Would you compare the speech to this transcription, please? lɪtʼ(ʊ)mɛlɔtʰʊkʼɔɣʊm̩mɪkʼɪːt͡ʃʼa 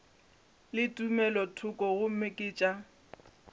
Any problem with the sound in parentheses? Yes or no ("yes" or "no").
yes